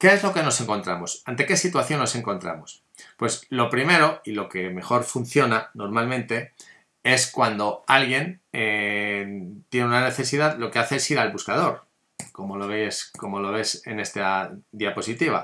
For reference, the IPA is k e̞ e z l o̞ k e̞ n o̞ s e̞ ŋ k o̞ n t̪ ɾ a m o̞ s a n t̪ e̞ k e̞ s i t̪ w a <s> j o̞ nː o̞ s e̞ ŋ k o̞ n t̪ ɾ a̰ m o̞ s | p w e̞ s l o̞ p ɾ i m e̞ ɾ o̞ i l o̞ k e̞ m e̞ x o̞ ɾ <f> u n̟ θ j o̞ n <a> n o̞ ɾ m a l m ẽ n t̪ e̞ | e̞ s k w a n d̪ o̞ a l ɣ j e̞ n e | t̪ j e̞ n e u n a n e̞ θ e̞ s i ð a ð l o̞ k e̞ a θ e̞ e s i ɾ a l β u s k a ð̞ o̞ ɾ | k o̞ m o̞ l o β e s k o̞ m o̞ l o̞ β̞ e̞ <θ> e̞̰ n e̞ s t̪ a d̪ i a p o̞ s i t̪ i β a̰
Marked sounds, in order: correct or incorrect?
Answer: incorrect: θ, correct, correct, incorrect: s

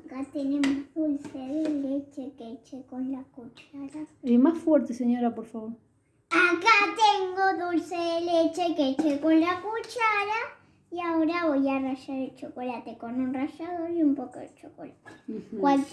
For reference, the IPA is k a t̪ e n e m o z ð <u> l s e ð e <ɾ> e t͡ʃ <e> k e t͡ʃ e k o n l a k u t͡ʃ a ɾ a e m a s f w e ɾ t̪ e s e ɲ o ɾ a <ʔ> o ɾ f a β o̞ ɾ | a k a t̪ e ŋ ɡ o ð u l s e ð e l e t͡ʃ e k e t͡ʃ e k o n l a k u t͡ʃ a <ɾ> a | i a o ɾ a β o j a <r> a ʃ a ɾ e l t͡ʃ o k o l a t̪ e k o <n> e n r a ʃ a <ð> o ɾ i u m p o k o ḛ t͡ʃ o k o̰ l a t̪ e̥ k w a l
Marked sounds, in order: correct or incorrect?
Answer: correct, incorrect: l, correct, incorrect: p, correct, correct, correct, correct

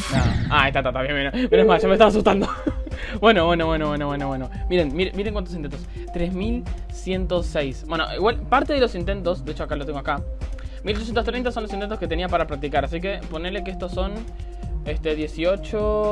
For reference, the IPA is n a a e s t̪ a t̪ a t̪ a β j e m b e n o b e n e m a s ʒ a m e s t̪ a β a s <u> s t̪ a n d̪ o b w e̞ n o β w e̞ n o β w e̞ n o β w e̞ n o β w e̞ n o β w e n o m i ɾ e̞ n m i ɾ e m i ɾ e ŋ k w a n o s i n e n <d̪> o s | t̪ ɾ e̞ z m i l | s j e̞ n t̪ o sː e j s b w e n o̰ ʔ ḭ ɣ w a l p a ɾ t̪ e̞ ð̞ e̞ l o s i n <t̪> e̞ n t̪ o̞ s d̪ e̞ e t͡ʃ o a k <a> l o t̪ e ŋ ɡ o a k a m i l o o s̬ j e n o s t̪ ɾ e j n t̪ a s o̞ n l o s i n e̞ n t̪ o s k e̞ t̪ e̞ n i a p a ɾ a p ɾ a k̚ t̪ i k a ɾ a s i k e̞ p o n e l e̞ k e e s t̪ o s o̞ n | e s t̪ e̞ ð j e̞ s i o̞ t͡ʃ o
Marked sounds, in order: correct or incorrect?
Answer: correct, incorrect: t̪, correct, correct

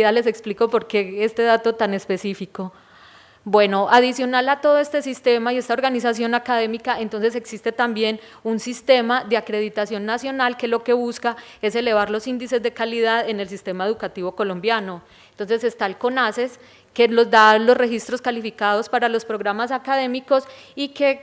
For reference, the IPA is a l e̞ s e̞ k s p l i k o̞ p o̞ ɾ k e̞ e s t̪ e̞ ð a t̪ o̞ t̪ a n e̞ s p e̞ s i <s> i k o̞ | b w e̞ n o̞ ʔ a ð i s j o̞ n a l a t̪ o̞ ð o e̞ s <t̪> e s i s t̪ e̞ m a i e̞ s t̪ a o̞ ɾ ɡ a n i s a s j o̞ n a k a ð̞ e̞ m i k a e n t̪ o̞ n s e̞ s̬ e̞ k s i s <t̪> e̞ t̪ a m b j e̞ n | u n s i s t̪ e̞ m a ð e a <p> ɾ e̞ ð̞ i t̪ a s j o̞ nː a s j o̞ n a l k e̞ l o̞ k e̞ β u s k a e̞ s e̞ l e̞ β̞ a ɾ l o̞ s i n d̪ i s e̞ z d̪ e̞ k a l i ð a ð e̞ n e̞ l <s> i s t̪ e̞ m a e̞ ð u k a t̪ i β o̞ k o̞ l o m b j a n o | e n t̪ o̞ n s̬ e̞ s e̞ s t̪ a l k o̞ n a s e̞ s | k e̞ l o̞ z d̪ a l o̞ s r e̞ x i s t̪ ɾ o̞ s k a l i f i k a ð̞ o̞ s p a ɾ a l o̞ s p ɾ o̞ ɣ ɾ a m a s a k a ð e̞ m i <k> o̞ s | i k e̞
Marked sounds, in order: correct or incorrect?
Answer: incorrect: f, correct, correct, incorrect: k, correct, correct

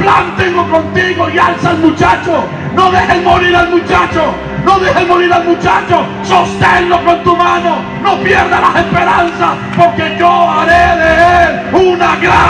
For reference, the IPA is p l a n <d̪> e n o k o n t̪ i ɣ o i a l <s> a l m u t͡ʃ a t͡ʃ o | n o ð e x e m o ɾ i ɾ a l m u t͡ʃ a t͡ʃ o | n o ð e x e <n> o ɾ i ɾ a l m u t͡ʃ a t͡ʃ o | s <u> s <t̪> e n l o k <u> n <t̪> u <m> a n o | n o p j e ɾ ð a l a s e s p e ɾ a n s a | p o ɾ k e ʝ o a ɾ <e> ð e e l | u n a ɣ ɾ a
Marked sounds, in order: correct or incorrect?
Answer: incorrect: t̪, correct, incorrect: m, incorrect: o, correct, incorrect: o, correct, correct, correct

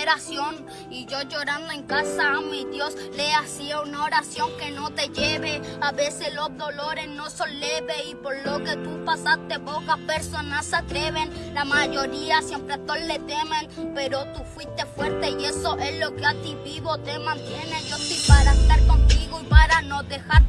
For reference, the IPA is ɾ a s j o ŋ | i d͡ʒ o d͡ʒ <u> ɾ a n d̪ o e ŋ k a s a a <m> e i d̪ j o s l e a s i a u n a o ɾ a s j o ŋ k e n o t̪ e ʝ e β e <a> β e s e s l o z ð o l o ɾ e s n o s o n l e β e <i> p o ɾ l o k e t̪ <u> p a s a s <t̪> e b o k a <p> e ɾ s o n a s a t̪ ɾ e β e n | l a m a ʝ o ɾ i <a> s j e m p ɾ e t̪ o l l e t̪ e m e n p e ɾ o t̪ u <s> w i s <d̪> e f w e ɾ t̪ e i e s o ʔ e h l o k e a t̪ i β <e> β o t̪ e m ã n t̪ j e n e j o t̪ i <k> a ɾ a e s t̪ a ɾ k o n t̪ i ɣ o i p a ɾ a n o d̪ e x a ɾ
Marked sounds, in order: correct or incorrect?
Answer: incorrect: o, correct, correct, correct, correct, correct, correct, correct, incorrect: f, incorrect: t̪, incorrect: i, incorrect: p

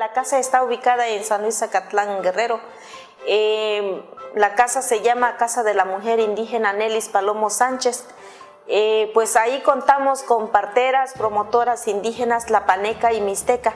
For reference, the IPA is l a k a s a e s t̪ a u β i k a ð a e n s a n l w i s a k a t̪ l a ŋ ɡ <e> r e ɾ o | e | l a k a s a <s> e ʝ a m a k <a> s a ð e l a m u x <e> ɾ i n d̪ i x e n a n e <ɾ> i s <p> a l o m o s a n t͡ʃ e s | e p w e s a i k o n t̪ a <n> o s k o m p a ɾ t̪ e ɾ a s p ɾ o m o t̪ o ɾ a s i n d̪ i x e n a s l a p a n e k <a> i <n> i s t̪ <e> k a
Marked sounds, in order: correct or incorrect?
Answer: correct, correct, correct, correct, incorrect: l, correct, incorrect: m, correct, incorrect: m, correct

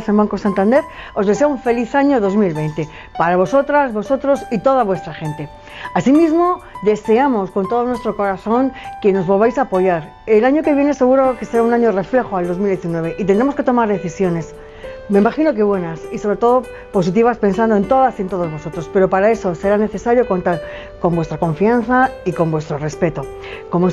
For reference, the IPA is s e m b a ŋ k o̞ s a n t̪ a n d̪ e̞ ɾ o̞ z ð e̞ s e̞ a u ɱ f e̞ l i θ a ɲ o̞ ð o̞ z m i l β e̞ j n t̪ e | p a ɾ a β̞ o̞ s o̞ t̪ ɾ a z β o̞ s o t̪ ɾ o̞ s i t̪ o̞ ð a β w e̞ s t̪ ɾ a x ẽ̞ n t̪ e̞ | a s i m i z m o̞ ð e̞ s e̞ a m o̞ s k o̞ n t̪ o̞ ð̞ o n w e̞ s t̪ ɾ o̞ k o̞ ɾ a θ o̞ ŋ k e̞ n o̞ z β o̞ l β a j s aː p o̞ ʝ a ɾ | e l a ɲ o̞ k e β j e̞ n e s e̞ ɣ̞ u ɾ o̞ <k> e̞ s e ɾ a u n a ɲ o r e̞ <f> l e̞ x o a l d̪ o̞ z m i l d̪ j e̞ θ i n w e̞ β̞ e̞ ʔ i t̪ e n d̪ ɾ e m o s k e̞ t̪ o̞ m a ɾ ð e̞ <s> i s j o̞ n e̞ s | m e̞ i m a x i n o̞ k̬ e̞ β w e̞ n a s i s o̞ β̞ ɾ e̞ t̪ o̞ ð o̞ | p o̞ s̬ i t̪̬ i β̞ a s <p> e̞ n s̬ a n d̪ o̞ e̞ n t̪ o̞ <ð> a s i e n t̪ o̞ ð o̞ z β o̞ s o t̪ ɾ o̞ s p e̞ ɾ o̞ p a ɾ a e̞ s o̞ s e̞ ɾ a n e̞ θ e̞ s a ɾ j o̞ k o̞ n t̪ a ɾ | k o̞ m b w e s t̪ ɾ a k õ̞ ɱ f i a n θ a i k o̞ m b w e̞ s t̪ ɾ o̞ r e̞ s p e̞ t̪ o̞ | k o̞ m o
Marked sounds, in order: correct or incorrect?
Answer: correct, correct, incorrect: θ, correct, correct

